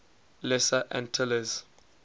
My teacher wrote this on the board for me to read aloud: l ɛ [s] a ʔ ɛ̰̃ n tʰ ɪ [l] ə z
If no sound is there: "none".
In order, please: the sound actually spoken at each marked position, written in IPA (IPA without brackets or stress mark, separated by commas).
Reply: s, l